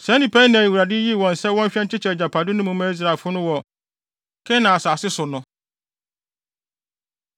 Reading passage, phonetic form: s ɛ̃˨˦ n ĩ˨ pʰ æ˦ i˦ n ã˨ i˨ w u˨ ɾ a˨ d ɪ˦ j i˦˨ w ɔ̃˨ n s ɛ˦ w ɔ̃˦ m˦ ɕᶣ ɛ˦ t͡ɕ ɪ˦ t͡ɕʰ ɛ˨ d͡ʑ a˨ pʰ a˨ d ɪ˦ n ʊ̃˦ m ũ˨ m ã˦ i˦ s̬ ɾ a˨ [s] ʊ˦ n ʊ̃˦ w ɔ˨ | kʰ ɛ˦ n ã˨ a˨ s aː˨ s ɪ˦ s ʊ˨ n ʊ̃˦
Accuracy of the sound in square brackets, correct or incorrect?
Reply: incorrect